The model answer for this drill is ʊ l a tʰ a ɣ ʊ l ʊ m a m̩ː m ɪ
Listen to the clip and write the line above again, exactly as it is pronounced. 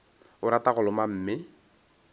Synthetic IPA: ʊ ɾ a t a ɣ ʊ l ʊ m a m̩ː m ɪ